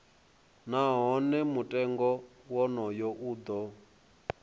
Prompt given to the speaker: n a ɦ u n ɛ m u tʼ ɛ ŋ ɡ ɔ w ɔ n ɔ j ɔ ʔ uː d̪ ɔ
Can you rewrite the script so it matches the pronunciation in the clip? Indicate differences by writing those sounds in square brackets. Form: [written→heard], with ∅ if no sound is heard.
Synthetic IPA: n a ɦ [u→ɔ] n ɛ m u tʼ ɛ ŋ ɡ ɔ w ɔ n ɔ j ɔ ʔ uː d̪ ɔ